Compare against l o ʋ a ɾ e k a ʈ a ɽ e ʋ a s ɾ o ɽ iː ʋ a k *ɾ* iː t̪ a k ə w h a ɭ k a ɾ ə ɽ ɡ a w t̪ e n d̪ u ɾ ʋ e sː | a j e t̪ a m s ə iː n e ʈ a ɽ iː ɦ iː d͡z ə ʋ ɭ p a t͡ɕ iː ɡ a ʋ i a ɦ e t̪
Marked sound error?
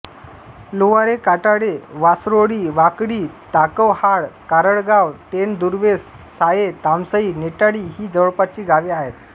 yes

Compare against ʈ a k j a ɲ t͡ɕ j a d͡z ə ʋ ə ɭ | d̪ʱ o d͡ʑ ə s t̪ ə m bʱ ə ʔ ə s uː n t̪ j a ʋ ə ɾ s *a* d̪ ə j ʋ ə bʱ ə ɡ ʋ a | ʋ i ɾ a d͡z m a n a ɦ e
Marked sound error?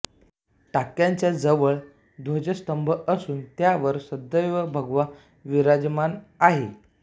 yes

